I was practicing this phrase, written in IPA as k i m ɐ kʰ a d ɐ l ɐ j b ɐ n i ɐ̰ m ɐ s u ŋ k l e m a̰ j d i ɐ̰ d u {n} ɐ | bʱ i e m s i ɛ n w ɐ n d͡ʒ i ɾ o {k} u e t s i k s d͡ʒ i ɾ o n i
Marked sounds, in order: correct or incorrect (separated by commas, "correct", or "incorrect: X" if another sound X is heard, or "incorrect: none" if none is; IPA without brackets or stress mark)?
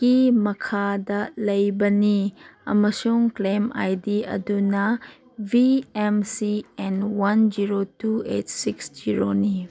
correct, incorrect: t